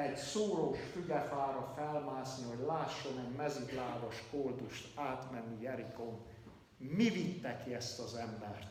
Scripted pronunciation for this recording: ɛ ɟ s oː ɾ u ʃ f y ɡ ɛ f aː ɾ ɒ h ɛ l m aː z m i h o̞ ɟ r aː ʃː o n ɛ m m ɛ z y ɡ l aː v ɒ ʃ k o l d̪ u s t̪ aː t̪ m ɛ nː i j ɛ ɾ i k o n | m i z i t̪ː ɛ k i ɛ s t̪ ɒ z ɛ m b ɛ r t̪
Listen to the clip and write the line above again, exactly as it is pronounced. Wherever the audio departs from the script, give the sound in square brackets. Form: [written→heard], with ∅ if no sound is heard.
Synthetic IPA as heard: ɛ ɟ s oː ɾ [u→o] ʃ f y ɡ ɛ f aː ɾ ɒ [h→f] ɛ l m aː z [m→n] i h o̞ ɟ [r→l] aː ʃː o n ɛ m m ɛ z y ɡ l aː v ɒ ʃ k o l d̪ u [s→ʃ] t̪ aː t̪ m ɛ nː i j ɛ ɾ i k o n | m i [z→v] i t̪ː ɛ k i ɛ s t̪ ɒ z ɛ m b ɛ r t̪